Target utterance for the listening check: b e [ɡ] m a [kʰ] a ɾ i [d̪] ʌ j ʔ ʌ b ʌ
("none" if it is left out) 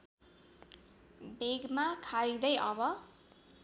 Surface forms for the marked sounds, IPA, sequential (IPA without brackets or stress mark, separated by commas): ɡ, kʰ, d̪